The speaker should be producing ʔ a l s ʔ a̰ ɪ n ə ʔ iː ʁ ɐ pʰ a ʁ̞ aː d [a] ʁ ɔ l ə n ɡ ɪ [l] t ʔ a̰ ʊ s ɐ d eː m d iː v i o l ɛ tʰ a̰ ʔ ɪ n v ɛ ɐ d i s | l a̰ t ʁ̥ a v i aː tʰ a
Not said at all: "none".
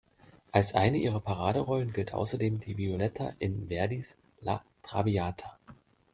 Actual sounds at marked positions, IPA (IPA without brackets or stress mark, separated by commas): ə, l